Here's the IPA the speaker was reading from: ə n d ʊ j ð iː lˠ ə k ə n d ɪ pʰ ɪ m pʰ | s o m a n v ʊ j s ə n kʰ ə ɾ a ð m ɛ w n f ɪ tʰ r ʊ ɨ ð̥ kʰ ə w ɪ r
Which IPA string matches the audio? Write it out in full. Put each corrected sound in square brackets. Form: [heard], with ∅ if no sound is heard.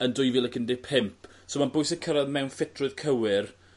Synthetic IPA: ə n d ʊ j [v] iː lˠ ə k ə n d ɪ pʰ ɪ m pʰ | s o m a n [b] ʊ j s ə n kʰ ə ɾ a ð m ɛ w n f ɪ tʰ r ʊ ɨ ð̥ kʰ ə w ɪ r